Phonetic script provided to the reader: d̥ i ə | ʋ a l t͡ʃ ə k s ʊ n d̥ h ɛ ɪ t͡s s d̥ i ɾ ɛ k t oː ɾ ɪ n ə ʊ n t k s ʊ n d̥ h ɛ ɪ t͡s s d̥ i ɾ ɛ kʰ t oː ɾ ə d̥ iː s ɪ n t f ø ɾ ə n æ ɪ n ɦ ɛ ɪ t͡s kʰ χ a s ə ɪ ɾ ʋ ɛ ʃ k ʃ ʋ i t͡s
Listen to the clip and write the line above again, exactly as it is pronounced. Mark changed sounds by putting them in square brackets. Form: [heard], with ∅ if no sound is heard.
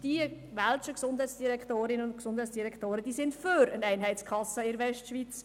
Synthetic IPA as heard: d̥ i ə | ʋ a l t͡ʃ ə k s ʊ n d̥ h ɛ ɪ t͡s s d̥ i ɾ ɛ k t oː ɾ ɪ n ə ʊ n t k s ʊ n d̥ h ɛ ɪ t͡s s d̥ i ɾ ɛ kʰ t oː ɾ ə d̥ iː s ɪ n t f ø ɾ ə n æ ɪ n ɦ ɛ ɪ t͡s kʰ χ [ɑ] s ə ɪ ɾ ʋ ɛ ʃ [t] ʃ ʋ i t͡s